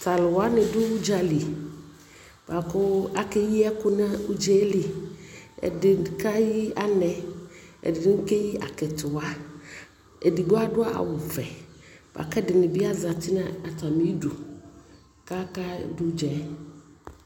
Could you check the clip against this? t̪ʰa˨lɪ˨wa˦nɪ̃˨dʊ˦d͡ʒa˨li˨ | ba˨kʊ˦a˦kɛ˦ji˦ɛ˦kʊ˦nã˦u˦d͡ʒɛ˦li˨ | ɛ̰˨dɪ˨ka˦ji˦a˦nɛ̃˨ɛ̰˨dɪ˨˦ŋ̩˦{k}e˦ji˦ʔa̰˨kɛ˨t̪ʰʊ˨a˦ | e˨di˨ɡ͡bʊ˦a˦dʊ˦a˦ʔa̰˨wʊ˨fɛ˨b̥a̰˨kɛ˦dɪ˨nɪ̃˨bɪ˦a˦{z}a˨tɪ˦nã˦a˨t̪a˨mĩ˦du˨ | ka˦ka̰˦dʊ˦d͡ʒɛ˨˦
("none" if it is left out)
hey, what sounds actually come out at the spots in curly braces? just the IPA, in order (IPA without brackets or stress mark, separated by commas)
k, z